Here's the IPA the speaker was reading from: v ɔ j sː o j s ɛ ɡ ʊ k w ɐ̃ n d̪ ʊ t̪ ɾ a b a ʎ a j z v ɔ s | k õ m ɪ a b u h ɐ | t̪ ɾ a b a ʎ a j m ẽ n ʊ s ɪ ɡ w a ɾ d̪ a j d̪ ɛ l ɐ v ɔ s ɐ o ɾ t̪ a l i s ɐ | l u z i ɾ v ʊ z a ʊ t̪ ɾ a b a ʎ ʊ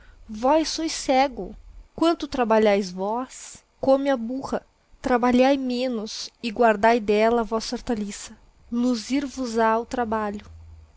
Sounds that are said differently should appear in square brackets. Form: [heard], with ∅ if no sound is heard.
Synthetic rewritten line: v ɔ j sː o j s ɛ ɡ ʊ k w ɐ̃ n [t̪] ʊ t̪ ɾ a b a ʎ a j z v ɔ s | k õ m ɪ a b u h ɐ | t̪ ɾ a b a ʎ a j m ẽ n ʊ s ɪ ɡ w a ɾ d̪ a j d̪ ɛ l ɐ v ɔ s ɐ o ɾ t̪ a l i s ɐ | l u z i ɾ v ʊ z a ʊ t̪ ɾ a b a ʎ ʊ

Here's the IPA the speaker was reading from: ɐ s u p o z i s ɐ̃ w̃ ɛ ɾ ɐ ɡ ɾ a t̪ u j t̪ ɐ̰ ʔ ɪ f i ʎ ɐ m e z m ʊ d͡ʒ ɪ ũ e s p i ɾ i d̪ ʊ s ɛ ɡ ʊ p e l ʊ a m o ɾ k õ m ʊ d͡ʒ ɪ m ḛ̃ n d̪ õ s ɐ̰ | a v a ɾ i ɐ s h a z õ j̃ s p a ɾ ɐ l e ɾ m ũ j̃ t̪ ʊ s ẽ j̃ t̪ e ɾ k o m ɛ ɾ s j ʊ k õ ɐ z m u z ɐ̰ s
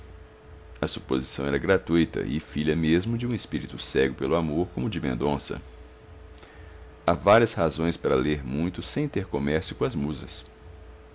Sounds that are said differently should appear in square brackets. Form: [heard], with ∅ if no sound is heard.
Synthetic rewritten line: ɐ s u p o z i s ɐ̃ w̃ ɛ ɾ ɐ ɡ ɾ a t̪ u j t̪ ɐ̰ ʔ ɪ f i ʎ ɐ m e z m ʊ d͡ʒ ɪ ũ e s p i ɾ i [t̪] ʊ s ɛ ɡ ʊ p e l ʊ a m o ɾ k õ m ʊ d͡ʒ ɪ m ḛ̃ n d̪ õ s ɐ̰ | a v a ɾ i ɐ s h a z õ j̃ s p a ɾ ɐ l e ɾ m ũ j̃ t̪ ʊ s ẽ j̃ t̪ e ɾ k o m ɛ ɾ s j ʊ k õ ɐ z m u z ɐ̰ s

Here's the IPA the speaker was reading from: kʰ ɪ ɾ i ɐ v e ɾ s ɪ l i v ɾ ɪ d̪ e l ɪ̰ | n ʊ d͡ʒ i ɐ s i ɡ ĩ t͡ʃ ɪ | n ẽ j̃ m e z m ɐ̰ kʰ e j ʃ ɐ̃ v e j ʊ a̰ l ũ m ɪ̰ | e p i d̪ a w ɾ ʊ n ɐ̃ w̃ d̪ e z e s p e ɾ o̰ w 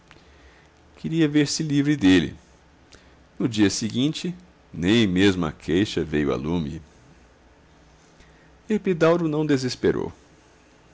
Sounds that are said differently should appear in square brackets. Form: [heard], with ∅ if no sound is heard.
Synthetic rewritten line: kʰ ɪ ɾ i ɐ v e ɾ s ɪ l i v ɾ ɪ d̪ e l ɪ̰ | n ʊ d͡ʒ i ɐ s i ɡ ĩ t͡ʃ ɪ | n ẽ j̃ m e z m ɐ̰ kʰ e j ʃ [ɐ] v e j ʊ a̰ l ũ m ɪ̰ | e p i d̪ a w ɾ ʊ n ɐ̃ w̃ d̪ e z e s p e ɾ o̰ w

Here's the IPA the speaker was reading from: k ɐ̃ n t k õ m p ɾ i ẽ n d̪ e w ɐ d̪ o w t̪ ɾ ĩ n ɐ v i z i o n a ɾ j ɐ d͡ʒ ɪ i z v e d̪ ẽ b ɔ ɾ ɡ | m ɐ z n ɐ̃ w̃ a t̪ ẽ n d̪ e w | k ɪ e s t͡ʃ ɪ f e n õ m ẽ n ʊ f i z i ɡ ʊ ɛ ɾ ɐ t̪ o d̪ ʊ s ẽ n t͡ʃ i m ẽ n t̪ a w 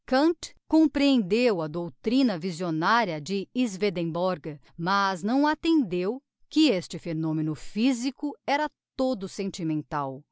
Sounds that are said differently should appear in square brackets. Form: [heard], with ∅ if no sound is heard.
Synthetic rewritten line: k ɐ̃ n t k õ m p ɾ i ẽ n d̪ e w ɐ d̪ o w t̪ ɾ ĩ n ɐ v i z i o n a ɾ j ɐ d͡ʒ ɪ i z v e d̪ ẽ b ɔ ɾ ɡ | m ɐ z n ɐ̃ w̃ a t̪ ẽ n d̪ e w | k ɪ e s t͡ʃ ɪ f e n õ m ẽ n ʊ f i z i [k] ʊ ɛ ɾ ɐ t̪ o d̪ ʊ s ẽ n t͡ʃ i m ẽ n t̪ a w

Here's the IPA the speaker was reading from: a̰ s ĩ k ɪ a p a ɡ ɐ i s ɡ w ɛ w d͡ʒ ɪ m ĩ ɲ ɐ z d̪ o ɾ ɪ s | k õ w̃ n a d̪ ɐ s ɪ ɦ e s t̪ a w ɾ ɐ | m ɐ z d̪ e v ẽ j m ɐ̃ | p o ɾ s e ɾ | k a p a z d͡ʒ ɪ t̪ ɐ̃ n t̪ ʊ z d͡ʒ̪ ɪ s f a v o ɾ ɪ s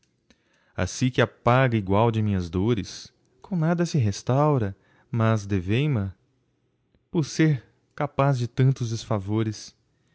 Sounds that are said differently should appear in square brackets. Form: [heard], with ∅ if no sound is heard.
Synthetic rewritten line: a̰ s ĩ k ɪ a p a ɡ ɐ i [∅] ɡ w [a] w d͡ʒ ɪ m ĩ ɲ ɐ z d̪ o ɾ ɪ s | k õ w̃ n a d̪ ɐ s ɪ ɦ e s t̪ a w ɾ ɐ | m ɐ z d̪ e v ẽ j m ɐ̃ | p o ɾ s e ɾ | k a p a z d͡ʒ ɪ t̪ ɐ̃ n t̪ ʊ z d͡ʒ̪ ɪ s f a v o ɾ ɪ s

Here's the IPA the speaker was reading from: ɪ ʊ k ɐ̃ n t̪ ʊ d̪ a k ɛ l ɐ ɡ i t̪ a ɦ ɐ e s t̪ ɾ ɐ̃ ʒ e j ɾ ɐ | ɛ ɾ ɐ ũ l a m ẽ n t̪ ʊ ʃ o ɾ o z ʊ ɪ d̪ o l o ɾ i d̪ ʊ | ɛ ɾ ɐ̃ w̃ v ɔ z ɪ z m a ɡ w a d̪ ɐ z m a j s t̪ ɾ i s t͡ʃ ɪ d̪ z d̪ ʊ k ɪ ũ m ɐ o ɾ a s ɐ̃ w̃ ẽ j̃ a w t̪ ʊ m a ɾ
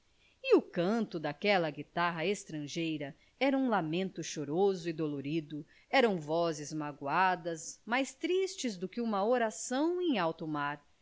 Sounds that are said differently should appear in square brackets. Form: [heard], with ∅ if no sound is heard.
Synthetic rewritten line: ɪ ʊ k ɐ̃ n t̪ ʊ d̪ a k ɛ l ɐ ɡ i t̪ a ɦ ɐ e s t̪ ɾ ɐ̃ ʒ e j ɾ ɐ | ɛ ɾ ɐ ũ l a m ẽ n t̪ ʊ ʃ o ɾ o z ʊ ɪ d̪ o l o ɾ i d̪ ʊ | ɛ ɾ ɐ̃ w̃ v ɔ z ɪ z m a ɡ w a d̪ ɐ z m a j s t̪ ɾ i s t͡ʃ ɪ [∅] z d̪ ʊ k ɪ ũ m ɐ o ɾ a s ɐ̃ w̃ ẽ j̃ a w t̪ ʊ m a ɾ

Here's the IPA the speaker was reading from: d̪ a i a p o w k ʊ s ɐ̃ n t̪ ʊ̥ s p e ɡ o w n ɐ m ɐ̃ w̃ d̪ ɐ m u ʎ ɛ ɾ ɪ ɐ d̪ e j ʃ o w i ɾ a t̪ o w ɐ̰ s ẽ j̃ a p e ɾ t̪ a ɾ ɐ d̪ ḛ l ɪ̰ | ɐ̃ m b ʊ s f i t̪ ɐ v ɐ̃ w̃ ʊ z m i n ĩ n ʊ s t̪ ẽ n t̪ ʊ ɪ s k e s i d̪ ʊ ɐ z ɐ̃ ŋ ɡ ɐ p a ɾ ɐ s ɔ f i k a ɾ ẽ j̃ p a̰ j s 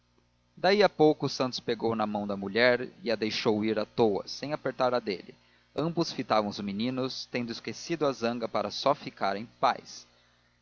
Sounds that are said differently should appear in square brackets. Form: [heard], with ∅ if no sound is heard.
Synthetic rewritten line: d̪ a i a p o w k ʊ s ɐ̃ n t̪ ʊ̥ s p e ɡ o w n ɐ m ɐ̃ w̃ d̪ ɐ m u ʎ ɛ ɾ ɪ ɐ d̪ e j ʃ o w i ɾ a t̪ o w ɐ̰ s ẽ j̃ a p e ɾ t̪ a ɾ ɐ d̪ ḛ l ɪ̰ | ɐ̃ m b ʊ s f i t̪ [a] v ɐ̃ w̃ ʊ z m i n ĩ n ʊ s t̪ ẽ n [d̪] ʊ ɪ s k e s i d̪ ʊ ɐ z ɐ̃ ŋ ɡ ɐ p a ɾ ɐ s ɔ f i k a ɾ ẽ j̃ p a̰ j s

